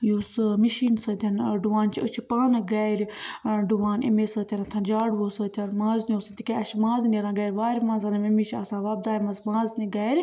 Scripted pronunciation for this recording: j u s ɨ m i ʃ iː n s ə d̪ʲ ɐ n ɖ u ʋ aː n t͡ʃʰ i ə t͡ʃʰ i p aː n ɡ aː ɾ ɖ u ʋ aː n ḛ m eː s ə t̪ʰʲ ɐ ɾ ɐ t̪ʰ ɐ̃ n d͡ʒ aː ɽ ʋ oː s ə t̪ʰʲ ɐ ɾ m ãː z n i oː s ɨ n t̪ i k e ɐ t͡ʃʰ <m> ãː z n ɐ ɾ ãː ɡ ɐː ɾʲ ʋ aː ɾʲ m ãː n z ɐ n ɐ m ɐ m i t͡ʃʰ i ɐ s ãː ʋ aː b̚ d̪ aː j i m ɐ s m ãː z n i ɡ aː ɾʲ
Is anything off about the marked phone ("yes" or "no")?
no